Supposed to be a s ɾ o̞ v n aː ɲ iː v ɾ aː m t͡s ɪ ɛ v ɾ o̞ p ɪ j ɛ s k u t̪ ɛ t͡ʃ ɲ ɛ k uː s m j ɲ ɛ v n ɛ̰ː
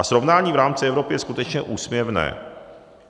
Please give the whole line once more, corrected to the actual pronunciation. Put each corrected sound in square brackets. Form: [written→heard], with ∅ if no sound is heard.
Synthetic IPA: a s ɾ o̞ v n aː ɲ iː v ɾ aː m t͡s ɪ ɛ v ɾ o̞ p ɪ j ɛ s k u t̪ ɛ t͡ʃ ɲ ɛ [k→ʔ] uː s m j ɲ ɛ v n ɛ̰ː